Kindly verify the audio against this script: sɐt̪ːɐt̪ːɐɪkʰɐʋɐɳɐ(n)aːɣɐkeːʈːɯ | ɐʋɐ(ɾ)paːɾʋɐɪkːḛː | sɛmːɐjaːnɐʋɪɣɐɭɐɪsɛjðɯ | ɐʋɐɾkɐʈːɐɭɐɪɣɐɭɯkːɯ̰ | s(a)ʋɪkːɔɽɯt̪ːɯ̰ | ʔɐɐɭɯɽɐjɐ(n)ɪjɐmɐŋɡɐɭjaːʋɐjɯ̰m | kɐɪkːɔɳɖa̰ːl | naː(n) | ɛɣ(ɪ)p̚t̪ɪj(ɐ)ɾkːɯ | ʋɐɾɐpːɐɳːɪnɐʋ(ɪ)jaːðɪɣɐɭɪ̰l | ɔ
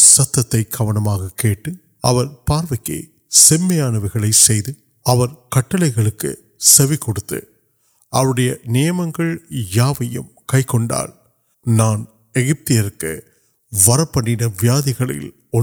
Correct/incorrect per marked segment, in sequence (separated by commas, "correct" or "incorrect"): incorrect, correct, incorrect, correct, correct, correct, correct, correct